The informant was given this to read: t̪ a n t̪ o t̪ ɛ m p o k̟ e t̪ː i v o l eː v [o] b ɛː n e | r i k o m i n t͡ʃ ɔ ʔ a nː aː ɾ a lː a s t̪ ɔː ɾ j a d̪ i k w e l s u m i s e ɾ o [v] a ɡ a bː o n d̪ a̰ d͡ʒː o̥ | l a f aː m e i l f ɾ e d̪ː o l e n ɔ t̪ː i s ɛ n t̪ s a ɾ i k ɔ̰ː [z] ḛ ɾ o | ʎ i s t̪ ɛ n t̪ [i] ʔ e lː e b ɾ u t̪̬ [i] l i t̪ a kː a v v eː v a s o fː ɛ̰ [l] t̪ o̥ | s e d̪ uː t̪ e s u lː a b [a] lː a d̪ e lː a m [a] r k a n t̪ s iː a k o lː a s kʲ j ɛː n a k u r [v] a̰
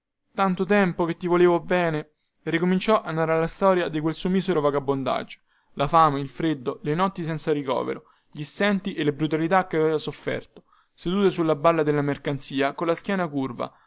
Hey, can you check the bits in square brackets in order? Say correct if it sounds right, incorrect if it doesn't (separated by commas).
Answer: correct, correct, incorrect, correct, incorrect, incorrect, correct, incorrect, correct